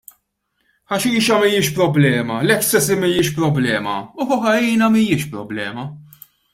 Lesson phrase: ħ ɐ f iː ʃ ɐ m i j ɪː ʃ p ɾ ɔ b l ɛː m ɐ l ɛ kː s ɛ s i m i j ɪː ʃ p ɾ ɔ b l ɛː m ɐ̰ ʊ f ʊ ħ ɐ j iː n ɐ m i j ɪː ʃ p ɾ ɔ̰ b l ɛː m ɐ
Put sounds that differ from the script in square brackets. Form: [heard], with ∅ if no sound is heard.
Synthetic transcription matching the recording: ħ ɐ [ʃ] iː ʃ ɐ m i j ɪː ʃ p ɾ ɔ b l ɛː m ɐ l ɛ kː s ɛ s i m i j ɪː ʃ p ɾ ɔ b l ɛː m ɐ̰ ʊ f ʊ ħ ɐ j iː n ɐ m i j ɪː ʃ p ɾ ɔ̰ b l ɛː m ɐ